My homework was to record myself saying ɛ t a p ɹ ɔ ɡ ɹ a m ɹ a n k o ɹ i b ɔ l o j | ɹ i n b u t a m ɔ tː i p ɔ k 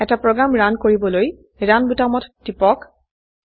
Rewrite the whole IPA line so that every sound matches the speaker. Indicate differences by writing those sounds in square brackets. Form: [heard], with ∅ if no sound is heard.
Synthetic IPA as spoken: ɛ t a p ɹ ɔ ɡ ɹ a m ɹ a n k o ɹ i b ɔ l o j | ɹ [a] n b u t a m ɔ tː i p ɔ k